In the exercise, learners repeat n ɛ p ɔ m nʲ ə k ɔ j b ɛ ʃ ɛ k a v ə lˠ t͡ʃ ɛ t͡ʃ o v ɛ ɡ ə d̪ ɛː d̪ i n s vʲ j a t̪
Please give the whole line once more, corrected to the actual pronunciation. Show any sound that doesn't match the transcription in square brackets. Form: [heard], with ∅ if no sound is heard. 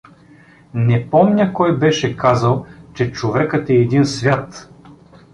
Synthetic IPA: n ɛ p ɔ m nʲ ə k ɔ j b ɛ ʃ ɛ k a [z] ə lˠ t͡ʃ ɛ t͡ʃ o v ɛ [k] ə [t̪] ɛː d̪ i n s vʲ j a t̪